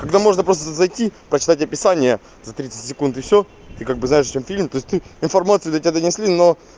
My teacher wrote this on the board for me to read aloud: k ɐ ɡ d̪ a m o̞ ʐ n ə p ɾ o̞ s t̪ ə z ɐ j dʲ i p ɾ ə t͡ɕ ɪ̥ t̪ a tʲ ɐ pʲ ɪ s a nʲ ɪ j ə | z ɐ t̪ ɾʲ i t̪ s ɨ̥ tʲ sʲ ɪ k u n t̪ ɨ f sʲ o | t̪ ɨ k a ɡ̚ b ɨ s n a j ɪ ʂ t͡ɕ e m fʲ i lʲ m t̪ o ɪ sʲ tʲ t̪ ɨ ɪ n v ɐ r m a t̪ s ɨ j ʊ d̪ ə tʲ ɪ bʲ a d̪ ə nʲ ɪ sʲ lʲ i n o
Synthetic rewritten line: k ɐ ɡ d̪ a m o̞ ʐ n ə p ɾ o̞ s t̪ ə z ɐ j tʲ i p ɾ ə t͡ɕ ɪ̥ t̪ a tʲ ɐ pʲ ɪ s a nʲ ɪ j ə | z ɐ t̪ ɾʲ i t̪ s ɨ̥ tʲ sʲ ɪ k u n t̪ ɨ f sʲ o | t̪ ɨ k a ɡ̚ b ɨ z n a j ɪ ʂ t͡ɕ e m fʲ i lʲ m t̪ o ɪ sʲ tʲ t̪ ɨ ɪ n f ɐ r m a t̪ s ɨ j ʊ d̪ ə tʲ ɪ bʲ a d̪ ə nʲ ɪ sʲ lʲ i n o